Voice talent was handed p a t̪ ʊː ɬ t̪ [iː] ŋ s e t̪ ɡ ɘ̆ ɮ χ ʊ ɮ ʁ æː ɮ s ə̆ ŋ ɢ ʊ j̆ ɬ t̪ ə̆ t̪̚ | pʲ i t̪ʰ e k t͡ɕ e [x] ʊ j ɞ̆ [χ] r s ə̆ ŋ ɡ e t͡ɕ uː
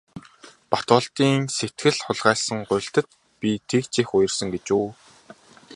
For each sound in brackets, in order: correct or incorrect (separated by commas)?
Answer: correct, correct, incorrect